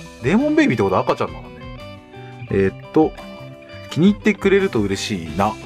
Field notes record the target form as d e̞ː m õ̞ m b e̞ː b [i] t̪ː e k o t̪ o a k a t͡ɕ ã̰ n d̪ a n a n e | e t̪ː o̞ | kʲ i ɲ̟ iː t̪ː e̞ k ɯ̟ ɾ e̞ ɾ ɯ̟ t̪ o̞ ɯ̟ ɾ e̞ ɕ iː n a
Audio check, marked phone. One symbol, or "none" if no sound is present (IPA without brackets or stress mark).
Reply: i